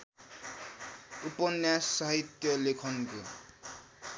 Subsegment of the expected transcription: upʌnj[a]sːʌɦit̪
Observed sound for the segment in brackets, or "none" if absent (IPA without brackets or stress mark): a